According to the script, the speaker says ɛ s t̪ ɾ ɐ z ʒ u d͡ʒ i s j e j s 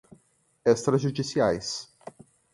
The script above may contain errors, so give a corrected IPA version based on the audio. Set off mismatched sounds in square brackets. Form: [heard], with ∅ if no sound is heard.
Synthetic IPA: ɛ s t̪ ɾ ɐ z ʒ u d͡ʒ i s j [a] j s